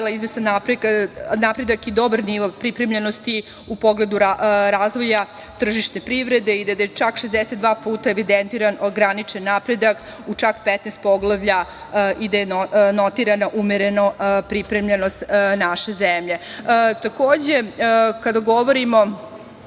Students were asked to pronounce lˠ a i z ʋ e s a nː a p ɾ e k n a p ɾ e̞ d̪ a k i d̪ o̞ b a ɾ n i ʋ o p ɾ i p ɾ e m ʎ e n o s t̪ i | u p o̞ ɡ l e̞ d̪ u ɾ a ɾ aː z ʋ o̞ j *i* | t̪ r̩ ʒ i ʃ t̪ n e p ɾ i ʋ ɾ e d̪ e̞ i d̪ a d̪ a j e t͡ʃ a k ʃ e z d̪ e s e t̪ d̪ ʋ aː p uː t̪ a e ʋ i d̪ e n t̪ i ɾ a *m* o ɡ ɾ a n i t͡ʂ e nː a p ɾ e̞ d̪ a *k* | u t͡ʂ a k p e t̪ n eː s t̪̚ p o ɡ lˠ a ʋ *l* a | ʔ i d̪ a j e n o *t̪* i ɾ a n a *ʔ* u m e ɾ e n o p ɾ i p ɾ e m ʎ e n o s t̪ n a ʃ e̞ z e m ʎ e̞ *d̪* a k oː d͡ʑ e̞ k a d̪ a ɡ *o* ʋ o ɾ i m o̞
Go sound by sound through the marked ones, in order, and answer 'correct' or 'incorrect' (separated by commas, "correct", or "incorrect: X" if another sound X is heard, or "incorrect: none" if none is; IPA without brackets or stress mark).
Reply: incorrect: a, incorrect: n, correct, incorrect: ʎ, correct, correct, incorrect: t̪, correct